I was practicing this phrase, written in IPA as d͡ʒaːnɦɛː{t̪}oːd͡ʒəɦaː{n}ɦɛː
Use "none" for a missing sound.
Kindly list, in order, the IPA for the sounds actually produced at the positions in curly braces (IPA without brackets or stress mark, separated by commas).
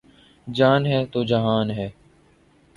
t̪, n